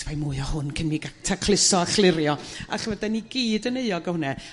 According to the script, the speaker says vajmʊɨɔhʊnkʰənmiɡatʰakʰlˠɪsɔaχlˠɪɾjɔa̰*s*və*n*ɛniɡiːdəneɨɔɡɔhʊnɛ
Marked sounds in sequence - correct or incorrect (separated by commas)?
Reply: incorrect, incorrect